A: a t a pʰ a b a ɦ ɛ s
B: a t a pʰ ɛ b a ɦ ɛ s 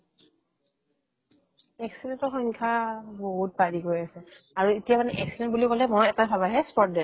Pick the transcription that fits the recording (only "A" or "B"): A